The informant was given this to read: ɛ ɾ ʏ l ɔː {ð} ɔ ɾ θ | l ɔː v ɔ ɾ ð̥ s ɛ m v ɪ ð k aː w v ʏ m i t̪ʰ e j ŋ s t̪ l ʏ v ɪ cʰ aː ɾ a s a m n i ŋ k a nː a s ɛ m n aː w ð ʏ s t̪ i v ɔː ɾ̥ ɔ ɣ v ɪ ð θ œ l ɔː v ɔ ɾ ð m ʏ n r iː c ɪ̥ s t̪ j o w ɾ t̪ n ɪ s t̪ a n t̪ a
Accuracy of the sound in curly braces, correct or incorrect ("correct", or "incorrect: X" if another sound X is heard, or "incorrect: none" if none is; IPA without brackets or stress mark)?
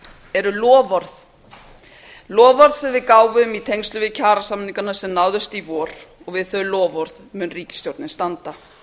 incorrect: v